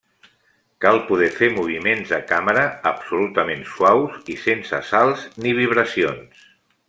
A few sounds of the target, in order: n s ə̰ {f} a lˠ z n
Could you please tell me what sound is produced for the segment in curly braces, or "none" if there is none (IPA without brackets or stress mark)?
s